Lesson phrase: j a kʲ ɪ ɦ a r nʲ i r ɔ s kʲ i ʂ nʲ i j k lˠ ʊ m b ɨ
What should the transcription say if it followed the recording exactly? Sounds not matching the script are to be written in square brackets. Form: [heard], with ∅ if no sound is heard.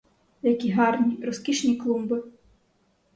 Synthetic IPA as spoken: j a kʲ [i] ɦ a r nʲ i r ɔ s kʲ i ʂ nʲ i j k lˠ [u] m b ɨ